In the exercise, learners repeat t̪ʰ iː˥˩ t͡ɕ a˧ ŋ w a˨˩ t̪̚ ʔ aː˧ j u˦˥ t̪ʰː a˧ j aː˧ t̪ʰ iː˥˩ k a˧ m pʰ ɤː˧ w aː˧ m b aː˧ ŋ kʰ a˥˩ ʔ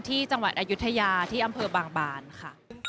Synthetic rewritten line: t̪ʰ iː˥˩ t͡ɕ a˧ ŋ w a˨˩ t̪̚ ʔ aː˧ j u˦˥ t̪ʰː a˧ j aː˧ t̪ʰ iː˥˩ ʔ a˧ m pʰ ɤː˧ b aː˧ ŋ b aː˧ n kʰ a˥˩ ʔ